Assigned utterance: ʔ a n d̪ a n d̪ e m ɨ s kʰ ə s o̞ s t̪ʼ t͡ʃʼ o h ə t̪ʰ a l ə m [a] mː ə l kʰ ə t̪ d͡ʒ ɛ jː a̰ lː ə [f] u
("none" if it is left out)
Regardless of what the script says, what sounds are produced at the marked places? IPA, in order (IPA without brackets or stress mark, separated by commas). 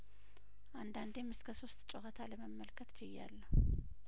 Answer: ə, h